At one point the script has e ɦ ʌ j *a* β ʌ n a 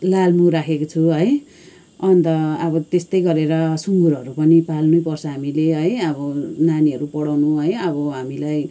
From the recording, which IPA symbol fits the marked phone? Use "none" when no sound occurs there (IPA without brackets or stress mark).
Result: ʌ